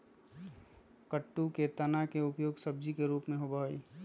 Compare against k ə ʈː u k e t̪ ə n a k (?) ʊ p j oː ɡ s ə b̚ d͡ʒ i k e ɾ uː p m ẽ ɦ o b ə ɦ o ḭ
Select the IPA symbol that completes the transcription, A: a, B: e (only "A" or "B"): B